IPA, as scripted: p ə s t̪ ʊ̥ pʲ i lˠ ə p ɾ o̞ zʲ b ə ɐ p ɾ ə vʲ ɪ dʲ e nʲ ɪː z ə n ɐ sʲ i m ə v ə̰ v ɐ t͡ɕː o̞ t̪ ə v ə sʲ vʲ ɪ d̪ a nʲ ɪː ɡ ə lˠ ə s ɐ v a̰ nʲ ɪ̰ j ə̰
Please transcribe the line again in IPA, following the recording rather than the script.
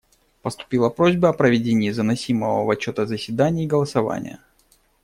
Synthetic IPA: p ə s t̪ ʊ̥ pʲ i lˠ ə p ɾ o̞ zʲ b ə ɐ p ɾ ə vʲ ɪ dʲ e nʲ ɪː z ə n ɐ sʲ i m ə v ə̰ v ɐ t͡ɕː o̞ t̪ ə z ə sʲ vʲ ɪ d̪ a nʲ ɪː ɡ ə lˠ ə s ɐ v a̰ nʲ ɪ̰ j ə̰